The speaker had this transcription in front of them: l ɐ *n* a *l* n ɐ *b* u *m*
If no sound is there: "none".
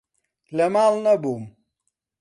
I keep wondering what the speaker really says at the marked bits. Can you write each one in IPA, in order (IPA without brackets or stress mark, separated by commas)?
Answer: m, l, b, m